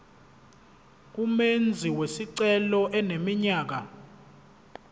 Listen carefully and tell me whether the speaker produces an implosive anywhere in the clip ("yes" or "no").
no